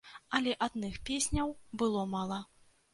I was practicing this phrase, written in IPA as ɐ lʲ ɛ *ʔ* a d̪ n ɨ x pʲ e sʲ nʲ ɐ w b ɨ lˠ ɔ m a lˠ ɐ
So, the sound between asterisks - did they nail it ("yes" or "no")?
yes